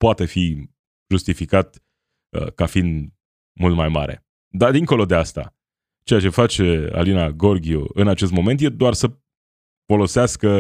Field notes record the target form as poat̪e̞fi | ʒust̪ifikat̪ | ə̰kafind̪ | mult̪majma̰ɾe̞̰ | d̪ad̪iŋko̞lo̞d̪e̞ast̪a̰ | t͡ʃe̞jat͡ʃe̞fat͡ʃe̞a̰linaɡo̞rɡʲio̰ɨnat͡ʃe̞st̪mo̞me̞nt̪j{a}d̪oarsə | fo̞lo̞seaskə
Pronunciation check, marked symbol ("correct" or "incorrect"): incorrect